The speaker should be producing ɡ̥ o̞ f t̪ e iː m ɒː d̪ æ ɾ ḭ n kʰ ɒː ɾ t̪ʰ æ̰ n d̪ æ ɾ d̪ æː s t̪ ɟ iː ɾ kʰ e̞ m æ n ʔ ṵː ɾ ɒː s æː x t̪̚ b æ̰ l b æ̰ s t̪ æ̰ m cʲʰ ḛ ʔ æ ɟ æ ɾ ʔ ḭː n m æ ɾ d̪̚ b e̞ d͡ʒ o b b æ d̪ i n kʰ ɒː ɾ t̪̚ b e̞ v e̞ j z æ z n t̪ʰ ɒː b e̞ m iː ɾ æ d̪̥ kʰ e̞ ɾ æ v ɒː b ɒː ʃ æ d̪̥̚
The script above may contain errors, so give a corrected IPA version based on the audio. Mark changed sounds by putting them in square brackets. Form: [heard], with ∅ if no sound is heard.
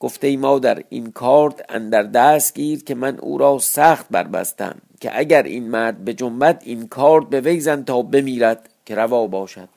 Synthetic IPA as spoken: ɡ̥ o̞ f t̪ e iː m ɒː d̪ æ ɾ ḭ n kʰ ɒː ɾ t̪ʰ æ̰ n d̪ æ ɾ d̪ æː s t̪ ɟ iː ɾ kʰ e̞ m æ n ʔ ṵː ɾ ɒː s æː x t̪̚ b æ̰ [ɾ] b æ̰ s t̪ æ̰ m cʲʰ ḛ ʔ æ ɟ æ ɾ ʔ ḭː n m æ ɾ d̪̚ b e̞ d͡ʒ o [m] b æ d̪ i n kʰ ɒː ɾ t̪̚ b e̞ v e̞ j z æ [∅] n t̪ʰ ɒː b e̞ m iː ɾ æ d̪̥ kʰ e̞ ɾ æ v ɒː b ɒː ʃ æ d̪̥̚